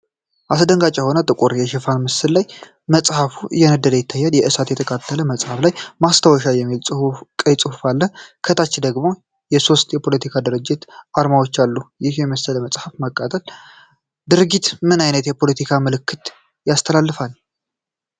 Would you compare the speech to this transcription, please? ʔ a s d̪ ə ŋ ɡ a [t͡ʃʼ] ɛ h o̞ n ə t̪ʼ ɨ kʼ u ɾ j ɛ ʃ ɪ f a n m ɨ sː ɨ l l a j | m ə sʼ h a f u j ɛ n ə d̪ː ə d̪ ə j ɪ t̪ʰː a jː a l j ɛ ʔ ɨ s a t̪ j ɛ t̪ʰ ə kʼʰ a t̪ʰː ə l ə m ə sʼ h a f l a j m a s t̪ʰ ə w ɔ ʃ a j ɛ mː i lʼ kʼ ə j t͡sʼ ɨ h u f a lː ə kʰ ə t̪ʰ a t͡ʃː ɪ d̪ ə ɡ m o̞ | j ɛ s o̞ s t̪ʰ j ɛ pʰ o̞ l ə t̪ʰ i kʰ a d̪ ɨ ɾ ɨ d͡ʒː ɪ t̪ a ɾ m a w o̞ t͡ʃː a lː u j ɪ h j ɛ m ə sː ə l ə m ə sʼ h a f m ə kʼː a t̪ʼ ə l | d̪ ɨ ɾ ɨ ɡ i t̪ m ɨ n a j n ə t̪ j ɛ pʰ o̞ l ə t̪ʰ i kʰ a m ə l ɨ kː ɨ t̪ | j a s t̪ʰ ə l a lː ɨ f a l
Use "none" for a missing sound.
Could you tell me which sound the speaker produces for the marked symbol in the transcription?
t͡ʃʼ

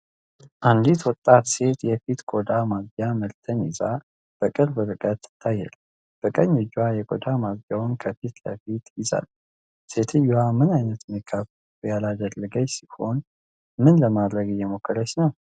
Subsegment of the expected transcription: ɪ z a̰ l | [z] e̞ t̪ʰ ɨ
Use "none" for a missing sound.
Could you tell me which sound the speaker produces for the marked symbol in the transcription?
s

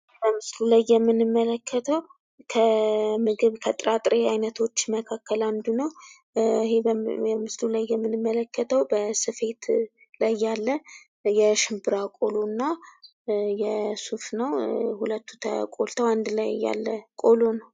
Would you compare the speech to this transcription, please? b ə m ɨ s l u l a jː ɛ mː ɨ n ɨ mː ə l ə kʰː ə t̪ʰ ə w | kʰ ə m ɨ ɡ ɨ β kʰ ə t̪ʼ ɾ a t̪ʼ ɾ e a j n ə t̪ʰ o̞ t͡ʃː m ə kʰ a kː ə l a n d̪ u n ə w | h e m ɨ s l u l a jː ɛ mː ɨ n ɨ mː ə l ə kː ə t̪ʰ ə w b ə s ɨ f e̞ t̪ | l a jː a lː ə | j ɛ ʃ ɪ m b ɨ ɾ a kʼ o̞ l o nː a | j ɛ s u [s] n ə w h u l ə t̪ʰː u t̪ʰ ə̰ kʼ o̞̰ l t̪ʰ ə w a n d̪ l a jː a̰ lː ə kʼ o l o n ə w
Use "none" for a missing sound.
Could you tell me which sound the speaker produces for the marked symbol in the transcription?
f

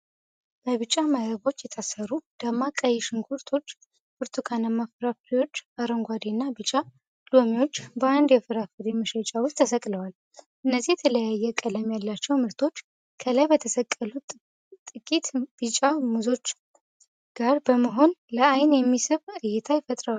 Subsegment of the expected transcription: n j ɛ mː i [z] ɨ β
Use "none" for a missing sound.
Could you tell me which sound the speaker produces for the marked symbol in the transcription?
s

